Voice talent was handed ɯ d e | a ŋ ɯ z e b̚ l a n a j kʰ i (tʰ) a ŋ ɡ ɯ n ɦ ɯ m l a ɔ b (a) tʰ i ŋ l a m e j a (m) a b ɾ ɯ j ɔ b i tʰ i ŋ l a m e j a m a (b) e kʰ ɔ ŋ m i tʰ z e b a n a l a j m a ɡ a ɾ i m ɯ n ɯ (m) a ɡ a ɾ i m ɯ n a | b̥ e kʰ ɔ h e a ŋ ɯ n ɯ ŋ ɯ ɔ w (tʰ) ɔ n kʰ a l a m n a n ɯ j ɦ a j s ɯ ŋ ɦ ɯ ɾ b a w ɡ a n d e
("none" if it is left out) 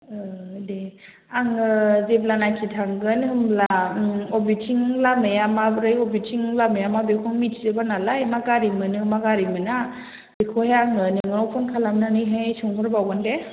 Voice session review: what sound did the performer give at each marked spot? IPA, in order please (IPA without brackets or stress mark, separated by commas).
tʰ, i, m, b, m, pʰ